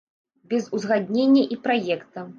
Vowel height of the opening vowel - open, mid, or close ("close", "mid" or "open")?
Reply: mid